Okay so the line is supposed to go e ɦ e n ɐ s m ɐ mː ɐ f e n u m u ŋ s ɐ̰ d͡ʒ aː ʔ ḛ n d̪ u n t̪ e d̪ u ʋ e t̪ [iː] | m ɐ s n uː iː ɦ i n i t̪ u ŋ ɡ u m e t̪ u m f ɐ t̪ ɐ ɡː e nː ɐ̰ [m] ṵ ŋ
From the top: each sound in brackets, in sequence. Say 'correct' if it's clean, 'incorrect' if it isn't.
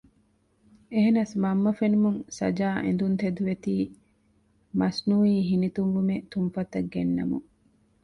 correct, correct

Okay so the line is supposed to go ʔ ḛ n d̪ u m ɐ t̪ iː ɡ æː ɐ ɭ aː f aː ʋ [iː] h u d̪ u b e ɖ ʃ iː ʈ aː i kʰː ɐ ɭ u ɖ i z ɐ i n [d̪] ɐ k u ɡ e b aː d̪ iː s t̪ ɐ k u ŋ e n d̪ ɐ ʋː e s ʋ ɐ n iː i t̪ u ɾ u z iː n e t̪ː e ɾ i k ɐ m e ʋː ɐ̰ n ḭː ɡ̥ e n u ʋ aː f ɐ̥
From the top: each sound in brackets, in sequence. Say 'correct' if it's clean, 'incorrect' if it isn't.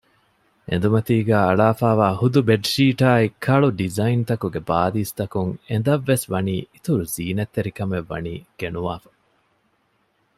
incorrect: aː, incorrect: t̪

